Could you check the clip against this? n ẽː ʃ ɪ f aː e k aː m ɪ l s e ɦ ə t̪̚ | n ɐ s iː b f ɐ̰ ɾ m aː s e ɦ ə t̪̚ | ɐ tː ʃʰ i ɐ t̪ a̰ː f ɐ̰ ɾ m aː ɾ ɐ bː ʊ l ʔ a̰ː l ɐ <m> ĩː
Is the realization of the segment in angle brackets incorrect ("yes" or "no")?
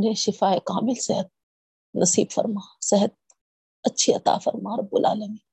no